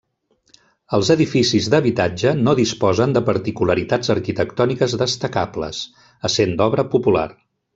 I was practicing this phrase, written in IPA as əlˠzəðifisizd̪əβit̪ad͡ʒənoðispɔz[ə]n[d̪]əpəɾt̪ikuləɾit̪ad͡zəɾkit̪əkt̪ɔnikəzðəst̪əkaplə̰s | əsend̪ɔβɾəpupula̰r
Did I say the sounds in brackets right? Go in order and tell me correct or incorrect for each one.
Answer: correct, correct

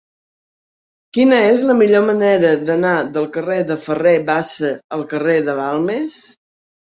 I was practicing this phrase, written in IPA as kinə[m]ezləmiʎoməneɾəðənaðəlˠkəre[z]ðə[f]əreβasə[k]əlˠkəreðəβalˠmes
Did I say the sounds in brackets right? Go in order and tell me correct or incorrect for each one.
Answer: incorrect, incorrect, correct, incorrect

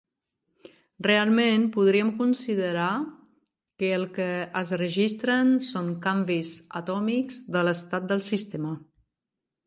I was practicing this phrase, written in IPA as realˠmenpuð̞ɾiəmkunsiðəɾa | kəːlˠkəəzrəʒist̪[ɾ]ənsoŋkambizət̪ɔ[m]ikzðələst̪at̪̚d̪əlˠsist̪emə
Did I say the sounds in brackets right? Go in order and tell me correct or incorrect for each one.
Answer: correct, correct

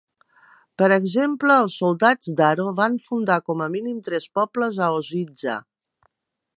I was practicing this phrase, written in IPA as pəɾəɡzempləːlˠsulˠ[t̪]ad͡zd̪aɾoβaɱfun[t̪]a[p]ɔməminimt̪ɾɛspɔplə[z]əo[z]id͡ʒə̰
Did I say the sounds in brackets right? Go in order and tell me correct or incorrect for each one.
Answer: incorrect, incorrect, incorrect, correct, correct

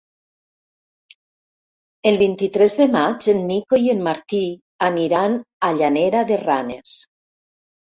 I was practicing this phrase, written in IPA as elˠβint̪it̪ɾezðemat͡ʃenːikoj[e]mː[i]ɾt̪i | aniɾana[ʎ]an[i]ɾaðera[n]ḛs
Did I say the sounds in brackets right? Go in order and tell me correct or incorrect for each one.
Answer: correct, incorrect, correct, incorrect, correct

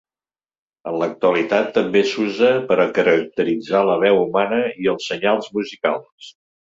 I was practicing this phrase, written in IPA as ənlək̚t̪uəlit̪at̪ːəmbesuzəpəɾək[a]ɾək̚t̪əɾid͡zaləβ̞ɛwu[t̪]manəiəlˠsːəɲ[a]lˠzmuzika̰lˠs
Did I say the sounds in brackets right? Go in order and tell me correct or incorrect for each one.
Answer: incorrect, incorrect, correct

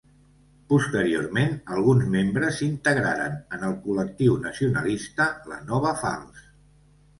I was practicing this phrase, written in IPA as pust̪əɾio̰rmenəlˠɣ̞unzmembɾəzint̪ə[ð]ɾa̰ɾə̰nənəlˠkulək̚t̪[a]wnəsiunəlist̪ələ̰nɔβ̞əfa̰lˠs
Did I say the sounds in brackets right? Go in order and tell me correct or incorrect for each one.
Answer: incorrect, incorrect

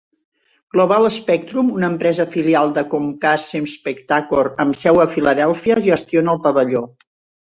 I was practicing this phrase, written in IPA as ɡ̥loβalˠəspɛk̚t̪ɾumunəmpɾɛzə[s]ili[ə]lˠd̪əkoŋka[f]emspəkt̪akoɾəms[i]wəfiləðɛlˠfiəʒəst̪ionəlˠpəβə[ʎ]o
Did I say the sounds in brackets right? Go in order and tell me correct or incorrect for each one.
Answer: incorrect, incorrect, incorrect, incorrect, correct

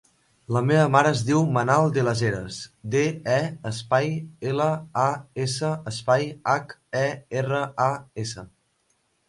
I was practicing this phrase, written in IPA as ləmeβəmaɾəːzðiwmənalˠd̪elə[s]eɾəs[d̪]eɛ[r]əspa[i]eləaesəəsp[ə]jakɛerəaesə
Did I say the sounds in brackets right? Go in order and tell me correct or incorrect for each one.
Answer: incorrect, correct, incorrect, incorrect, incorrect

